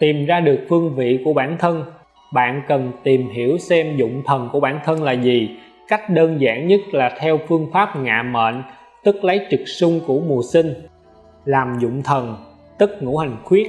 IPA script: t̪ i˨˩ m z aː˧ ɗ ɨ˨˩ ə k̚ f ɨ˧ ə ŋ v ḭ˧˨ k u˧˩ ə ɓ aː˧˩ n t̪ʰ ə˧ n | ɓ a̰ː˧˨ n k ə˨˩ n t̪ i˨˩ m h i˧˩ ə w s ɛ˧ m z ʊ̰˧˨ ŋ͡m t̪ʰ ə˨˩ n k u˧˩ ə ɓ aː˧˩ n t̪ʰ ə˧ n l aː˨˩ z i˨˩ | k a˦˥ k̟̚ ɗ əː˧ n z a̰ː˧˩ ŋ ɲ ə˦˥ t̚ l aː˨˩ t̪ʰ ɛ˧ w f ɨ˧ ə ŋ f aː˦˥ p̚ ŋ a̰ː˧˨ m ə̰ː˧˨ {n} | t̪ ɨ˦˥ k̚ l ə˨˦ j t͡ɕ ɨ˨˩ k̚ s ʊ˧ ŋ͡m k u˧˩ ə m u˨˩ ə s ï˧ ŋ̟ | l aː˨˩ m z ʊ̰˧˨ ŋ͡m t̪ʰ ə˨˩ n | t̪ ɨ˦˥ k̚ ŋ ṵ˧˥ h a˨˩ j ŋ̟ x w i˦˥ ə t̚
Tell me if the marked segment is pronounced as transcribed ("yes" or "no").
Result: yes